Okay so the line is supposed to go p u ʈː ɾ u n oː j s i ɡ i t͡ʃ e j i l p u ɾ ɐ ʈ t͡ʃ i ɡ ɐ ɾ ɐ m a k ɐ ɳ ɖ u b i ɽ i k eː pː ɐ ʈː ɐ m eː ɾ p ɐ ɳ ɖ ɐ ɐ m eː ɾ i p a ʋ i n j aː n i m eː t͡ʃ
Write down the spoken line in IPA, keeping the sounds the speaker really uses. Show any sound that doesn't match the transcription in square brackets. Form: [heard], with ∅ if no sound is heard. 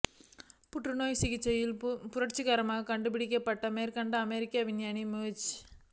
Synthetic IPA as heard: p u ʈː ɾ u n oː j s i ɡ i t͡ʃ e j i l p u ɾ ɐ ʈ t͡ʃ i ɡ ɐ ɾ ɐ m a k ɐ ɳ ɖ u b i ɽ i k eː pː ɐ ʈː ɐ m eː ɾ [k] ɐ ɳ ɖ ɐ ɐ m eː ɾ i [k] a ʋ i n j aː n i m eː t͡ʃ